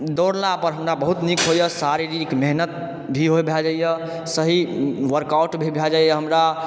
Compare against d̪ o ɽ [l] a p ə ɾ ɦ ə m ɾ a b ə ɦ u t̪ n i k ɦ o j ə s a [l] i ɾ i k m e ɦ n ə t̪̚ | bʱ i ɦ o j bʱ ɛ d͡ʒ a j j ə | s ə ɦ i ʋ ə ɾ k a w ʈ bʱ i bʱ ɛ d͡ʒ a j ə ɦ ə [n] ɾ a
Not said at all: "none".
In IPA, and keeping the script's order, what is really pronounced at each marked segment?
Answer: l, ɾ, m

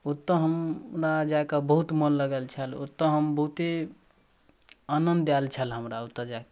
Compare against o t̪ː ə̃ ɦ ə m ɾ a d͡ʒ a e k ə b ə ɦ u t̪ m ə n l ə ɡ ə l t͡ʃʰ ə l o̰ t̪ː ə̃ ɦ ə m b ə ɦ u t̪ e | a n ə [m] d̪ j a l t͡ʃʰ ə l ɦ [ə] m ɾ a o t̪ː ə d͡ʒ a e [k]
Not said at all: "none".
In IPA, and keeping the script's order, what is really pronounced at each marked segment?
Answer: n, ə, k

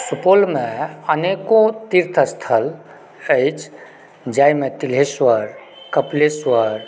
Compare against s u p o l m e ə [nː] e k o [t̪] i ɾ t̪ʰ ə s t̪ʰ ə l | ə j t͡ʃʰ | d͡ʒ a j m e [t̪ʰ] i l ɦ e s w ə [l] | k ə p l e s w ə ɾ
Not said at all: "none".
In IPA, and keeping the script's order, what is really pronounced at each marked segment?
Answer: n, t̪, t̪, ɾ

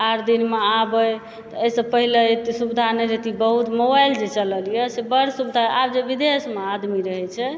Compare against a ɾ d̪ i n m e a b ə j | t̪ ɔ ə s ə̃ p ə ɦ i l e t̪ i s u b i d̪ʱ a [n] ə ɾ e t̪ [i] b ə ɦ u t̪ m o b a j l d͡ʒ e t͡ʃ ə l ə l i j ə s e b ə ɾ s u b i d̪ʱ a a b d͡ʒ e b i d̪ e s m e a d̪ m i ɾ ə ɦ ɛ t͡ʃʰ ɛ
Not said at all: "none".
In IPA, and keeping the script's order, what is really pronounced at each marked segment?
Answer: n, i

